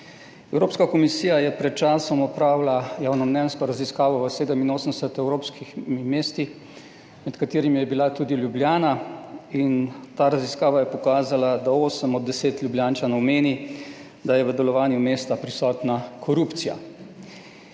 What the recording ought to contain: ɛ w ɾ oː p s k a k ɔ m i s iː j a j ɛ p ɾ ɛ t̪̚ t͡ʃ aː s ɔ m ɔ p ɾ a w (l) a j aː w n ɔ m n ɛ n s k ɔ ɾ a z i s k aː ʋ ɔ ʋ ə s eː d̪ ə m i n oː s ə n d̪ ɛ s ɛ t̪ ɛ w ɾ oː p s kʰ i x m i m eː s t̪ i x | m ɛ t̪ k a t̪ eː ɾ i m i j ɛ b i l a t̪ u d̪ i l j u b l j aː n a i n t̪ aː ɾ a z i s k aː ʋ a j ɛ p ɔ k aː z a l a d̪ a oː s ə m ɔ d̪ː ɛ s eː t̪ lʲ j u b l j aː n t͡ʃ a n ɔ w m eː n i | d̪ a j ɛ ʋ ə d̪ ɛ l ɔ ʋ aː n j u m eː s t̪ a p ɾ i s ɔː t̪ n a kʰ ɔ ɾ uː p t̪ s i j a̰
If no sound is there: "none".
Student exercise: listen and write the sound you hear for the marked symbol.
l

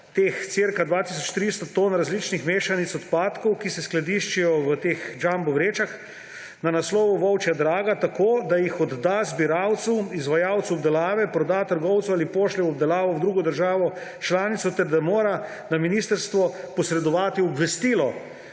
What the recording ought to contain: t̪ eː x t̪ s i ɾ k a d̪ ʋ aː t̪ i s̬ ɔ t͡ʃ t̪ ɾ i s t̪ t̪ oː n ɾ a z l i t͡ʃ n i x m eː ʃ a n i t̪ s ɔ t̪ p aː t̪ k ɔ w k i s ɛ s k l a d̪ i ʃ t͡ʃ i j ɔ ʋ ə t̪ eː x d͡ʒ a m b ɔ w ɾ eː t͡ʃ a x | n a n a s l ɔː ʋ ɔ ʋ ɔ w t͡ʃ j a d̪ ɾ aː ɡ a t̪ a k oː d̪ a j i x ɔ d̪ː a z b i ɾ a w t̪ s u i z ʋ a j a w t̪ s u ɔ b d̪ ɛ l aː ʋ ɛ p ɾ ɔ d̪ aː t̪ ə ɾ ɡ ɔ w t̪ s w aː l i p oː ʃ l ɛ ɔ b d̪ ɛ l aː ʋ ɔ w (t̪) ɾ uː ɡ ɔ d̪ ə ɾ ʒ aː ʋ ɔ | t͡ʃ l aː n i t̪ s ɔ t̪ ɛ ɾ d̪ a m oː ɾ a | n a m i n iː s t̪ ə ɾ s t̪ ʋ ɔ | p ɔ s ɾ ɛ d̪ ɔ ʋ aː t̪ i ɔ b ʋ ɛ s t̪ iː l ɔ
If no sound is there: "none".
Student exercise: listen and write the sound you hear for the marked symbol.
d̪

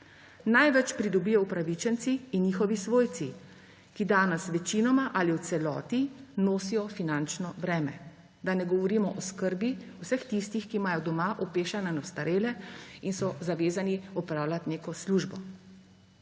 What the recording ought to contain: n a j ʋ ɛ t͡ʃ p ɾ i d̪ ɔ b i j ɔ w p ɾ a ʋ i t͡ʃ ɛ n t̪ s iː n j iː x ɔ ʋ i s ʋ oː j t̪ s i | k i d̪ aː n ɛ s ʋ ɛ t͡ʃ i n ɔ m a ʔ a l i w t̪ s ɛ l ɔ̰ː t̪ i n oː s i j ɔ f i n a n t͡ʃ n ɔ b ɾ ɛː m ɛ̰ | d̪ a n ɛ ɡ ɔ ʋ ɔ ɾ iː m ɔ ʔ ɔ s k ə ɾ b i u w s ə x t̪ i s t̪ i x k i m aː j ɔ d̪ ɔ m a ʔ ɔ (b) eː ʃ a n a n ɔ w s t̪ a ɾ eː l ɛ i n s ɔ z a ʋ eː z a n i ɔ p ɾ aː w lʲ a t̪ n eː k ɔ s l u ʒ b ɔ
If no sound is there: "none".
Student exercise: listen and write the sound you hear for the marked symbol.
p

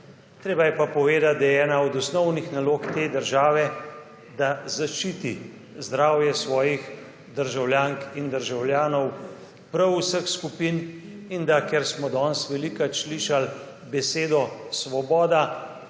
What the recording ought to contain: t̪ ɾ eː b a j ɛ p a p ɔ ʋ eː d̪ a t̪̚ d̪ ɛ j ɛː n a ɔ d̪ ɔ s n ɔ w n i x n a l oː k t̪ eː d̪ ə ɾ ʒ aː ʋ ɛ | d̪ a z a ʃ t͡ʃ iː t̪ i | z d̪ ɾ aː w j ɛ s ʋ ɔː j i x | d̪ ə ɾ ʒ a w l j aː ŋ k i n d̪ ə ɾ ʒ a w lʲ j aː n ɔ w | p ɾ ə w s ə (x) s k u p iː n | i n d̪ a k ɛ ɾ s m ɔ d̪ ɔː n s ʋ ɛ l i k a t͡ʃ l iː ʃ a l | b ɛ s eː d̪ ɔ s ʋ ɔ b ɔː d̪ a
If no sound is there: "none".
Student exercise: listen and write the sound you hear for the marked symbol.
x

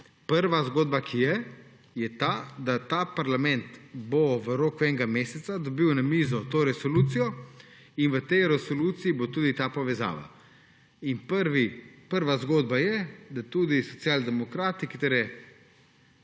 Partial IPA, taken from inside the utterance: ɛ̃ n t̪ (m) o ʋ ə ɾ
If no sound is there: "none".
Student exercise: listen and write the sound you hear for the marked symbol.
b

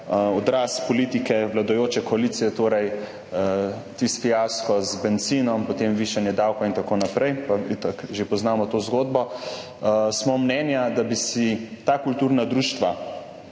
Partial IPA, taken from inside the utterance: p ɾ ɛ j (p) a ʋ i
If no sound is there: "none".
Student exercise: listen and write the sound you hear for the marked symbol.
p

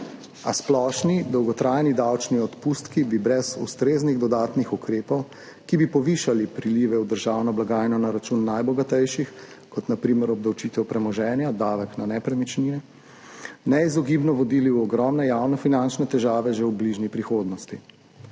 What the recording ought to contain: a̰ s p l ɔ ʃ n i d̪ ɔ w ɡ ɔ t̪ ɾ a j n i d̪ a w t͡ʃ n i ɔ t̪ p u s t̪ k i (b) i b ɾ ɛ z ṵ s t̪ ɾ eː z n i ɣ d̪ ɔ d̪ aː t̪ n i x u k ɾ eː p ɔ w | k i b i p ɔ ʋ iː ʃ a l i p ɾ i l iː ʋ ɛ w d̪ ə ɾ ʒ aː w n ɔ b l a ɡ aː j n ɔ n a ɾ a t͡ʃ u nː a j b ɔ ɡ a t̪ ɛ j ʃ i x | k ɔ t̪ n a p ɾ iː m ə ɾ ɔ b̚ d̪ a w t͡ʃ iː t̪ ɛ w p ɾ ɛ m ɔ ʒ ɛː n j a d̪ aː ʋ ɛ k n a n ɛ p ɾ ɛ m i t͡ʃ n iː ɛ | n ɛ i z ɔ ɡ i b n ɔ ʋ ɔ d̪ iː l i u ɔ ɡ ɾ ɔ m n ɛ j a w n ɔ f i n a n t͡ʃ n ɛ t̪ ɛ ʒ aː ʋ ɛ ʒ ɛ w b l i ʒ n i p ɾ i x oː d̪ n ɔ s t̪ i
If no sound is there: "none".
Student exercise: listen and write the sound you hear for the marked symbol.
b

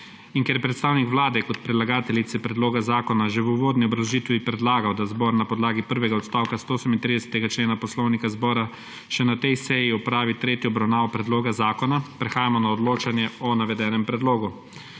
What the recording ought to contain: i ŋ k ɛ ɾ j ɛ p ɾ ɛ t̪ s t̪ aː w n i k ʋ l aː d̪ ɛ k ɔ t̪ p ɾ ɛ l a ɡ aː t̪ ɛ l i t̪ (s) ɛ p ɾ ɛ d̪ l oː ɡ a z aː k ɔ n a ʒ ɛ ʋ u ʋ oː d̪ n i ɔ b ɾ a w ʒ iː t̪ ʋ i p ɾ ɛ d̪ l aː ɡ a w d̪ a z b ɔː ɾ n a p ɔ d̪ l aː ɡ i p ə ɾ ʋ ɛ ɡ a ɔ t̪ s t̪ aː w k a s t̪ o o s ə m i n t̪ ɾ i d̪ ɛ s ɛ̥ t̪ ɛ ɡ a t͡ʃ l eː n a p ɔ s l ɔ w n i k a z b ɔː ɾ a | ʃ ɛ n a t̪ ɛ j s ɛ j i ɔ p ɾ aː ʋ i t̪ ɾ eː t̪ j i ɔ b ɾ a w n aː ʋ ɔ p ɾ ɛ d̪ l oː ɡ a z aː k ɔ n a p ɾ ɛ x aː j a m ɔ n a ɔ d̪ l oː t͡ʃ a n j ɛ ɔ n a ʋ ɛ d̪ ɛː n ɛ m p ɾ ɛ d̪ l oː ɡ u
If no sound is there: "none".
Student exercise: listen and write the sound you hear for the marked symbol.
s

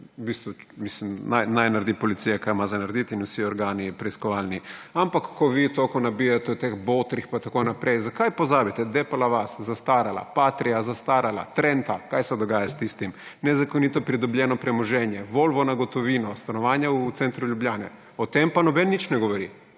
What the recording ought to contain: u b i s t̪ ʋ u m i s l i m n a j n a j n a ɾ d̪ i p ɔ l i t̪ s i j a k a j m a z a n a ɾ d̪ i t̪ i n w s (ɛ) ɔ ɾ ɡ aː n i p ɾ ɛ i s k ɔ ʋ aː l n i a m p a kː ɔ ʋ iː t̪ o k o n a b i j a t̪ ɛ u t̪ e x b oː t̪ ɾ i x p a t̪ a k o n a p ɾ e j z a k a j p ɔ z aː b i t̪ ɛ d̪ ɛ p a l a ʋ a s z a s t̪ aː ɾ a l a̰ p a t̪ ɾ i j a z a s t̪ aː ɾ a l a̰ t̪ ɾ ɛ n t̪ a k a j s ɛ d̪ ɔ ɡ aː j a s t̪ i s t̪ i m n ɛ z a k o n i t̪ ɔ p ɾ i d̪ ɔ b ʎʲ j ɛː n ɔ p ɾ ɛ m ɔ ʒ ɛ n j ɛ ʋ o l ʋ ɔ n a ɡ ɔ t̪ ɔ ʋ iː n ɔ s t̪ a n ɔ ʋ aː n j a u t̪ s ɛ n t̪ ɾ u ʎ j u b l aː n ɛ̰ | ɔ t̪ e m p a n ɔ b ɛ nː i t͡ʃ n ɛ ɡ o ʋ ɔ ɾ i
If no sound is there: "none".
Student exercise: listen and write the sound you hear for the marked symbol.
i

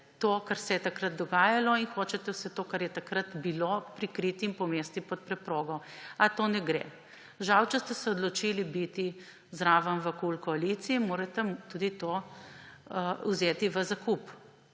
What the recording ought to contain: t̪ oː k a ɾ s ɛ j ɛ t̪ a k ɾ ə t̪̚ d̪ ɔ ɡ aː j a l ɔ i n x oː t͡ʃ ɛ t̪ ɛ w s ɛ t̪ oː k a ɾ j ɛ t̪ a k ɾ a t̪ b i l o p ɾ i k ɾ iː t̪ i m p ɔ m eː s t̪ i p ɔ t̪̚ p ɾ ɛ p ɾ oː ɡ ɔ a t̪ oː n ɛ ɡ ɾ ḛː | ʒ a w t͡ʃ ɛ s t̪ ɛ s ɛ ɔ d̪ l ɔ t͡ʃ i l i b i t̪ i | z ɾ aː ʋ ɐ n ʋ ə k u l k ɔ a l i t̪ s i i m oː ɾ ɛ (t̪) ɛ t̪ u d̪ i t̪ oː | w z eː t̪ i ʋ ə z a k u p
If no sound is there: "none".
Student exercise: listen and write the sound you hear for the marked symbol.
t̪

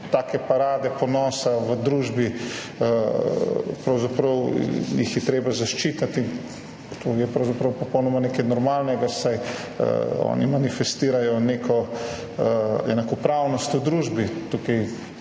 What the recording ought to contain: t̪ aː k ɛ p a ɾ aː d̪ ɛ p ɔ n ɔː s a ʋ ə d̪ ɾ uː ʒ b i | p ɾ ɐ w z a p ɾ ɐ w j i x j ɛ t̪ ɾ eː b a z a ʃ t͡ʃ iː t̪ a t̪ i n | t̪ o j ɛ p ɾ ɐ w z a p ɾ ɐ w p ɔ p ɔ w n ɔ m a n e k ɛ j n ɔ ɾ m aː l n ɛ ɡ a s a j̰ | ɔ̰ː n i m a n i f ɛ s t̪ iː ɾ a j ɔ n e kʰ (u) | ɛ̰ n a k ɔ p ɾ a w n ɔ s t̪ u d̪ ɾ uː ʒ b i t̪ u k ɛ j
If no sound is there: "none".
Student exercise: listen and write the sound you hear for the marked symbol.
ɔ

